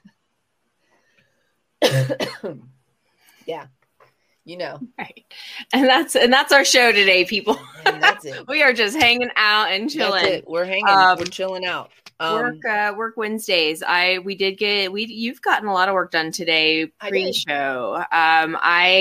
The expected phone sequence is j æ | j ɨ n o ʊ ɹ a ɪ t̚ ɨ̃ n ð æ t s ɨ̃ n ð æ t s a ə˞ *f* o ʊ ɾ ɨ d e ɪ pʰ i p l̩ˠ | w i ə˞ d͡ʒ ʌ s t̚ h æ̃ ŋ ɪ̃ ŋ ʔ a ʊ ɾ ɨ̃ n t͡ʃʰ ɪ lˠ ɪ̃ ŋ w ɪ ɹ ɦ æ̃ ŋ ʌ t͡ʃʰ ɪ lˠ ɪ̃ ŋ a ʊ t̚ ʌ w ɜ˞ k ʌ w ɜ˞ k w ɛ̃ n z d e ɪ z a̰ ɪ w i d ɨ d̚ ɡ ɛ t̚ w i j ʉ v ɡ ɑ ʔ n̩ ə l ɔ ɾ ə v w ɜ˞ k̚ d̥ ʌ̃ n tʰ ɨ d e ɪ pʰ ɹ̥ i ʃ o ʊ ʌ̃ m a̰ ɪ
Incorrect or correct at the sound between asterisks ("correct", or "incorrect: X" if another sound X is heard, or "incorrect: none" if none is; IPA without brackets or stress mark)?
incorrect: ʃ